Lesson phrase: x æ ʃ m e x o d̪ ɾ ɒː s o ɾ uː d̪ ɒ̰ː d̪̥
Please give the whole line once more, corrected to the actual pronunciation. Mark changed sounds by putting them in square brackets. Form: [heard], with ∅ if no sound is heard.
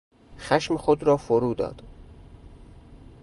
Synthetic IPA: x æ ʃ m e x o d̪ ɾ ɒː [f] o ɾ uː d̪ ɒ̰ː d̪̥